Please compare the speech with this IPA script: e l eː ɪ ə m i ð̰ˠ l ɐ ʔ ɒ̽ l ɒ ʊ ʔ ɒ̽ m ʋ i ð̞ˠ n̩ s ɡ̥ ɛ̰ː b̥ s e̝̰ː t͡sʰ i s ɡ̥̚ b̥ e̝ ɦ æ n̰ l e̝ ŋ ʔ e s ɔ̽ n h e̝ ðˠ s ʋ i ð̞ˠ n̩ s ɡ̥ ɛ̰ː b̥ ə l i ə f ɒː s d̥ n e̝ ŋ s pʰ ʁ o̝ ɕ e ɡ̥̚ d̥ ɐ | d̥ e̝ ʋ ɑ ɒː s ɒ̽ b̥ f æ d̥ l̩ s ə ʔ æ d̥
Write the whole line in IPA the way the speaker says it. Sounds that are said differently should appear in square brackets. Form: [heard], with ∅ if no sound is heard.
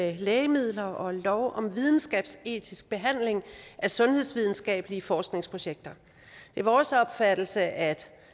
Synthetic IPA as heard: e l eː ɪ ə m i ð̰ˠ l ɐ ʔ ɒ̽ l ɒ ʊ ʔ ɒ̽ m ʋ i ð̞ˠ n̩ s ɡ̥ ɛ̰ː b̥ s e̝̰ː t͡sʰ i s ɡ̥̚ b̥ e̝ ɦ æ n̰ l e̝ ŋ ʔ [æ] s ɔ̽ n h e̝ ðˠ s ʋ i ð̞ˠ n̩ s ɡ̥ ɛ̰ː b̥ ə l i ə f ɒː s [ɡ̥] n e̝ ŋ s pʰ ʁ o̝ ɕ e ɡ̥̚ d̥ ɐ | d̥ e̝ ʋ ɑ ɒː s ɒ̽ b̥ f æ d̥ l̩ s ə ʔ æ d̥